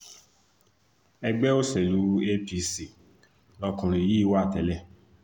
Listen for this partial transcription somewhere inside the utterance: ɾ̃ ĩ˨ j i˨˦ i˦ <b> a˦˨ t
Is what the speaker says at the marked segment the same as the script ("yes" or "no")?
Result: no